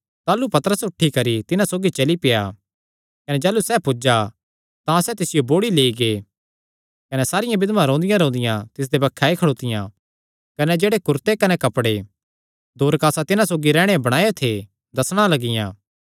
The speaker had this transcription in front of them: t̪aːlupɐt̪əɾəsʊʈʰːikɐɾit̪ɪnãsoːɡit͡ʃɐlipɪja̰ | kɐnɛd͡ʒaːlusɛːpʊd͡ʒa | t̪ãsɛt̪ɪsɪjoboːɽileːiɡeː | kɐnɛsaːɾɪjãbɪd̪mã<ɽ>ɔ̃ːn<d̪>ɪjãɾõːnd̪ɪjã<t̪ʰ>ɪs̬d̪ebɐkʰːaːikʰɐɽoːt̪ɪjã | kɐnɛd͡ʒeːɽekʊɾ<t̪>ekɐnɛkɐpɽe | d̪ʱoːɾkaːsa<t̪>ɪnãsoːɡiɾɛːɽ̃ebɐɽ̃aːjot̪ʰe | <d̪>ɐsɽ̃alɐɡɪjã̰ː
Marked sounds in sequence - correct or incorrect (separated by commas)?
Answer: incorrect, correct, incorrect, correct, correct, correct